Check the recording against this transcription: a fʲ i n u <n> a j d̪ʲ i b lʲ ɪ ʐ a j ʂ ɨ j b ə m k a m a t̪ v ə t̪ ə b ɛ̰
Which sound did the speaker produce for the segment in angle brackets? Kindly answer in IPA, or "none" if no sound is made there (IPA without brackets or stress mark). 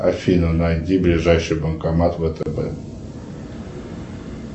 n